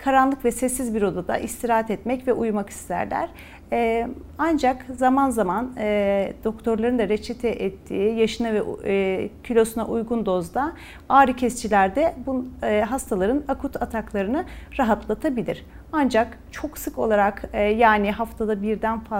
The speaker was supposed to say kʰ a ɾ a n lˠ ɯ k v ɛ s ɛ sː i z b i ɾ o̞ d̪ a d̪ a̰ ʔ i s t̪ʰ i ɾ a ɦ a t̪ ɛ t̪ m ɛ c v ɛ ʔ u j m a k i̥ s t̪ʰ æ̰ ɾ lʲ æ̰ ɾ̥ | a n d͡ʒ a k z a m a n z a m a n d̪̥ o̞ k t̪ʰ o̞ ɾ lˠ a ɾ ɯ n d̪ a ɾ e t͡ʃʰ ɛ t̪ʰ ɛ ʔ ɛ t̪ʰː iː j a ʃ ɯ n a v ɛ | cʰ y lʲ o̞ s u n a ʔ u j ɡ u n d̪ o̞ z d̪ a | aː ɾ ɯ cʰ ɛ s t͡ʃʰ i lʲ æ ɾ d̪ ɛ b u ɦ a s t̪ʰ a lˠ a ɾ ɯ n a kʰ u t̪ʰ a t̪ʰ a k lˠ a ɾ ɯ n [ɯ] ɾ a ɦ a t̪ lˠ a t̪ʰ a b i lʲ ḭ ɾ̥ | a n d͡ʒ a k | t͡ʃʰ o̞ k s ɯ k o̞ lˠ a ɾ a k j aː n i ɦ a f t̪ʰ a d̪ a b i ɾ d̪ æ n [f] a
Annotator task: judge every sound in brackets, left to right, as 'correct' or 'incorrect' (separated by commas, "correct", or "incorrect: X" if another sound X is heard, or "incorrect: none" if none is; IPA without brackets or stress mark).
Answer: correct, correct